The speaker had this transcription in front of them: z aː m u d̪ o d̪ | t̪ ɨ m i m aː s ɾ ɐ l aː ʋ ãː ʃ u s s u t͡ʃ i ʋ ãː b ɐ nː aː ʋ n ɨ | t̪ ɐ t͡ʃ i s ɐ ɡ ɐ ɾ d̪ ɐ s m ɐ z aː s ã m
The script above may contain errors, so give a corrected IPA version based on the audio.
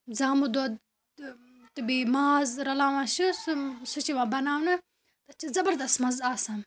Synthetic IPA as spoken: z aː m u d̪ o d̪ | t̪ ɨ b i m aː z ɾ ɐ l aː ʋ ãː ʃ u s s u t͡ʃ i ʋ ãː b ɐ n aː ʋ n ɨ | t̪ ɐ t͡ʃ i z ɐ b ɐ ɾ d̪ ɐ s m ɐ z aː s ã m